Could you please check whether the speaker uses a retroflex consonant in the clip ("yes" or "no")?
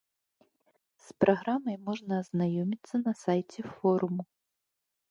yes